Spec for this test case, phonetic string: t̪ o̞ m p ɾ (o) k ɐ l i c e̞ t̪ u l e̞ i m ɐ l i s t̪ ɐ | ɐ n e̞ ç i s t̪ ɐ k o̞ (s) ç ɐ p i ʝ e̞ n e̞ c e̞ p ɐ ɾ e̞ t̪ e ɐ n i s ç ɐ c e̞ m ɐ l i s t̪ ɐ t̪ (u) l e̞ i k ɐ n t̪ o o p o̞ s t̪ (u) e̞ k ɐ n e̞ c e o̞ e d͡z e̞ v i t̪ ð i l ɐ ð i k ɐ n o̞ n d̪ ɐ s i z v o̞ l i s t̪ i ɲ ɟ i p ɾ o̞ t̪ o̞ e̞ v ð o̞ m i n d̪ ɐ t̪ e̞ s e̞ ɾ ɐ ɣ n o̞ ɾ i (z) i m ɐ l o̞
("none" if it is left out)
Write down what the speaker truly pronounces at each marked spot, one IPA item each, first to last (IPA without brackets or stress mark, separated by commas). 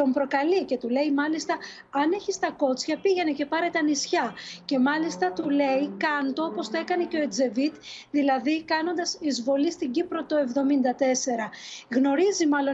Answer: o, t͡s, u, o, z